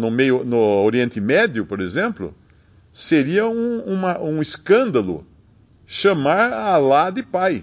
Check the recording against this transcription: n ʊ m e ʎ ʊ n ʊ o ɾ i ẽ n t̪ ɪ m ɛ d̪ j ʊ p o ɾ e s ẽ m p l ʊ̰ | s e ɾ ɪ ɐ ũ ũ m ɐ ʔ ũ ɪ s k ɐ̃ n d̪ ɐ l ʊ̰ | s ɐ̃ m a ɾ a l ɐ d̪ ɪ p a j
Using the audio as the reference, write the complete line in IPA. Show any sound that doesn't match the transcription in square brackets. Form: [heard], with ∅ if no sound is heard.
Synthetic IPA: n ʊ m e [j] ʊ n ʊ o ɾ i ẽ n t̪ ɪ m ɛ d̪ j ʊ p o ɾ e [z] ẽ m p l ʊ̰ | s e ɾ [i] ɐ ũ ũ m ɐ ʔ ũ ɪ s k ɐ̃ n d̪ ɐ l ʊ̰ | [ʃ] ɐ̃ m a ɾ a l [a] d̪ ɪ p a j